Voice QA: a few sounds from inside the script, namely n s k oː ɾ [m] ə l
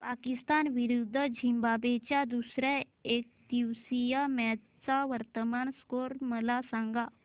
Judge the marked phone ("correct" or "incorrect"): correct